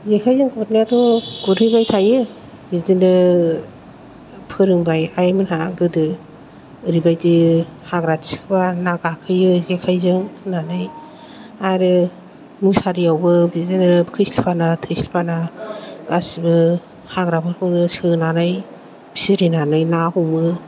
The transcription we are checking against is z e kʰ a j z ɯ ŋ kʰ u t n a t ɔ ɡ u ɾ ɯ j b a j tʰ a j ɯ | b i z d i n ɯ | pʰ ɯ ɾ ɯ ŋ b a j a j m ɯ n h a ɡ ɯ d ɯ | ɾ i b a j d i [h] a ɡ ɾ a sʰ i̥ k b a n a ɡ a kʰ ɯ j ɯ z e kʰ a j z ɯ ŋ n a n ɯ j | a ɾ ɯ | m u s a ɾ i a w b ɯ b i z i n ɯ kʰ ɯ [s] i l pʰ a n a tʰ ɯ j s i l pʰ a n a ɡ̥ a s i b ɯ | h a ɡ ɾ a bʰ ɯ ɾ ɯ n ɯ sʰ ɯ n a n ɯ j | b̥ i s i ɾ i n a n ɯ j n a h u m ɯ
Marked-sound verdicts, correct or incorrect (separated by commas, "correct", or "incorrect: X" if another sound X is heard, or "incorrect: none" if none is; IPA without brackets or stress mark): correct, correct